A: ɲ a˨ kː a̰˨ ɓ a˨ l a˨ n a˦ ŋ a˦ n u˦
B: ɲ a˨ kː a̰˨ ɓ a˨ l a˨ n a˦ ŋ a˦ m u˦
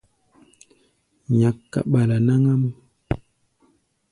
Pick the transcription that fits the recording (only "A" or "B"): B